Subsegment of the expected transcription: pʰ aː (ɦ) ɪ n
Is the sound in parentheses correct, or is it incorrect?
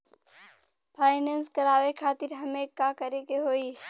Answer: incorrect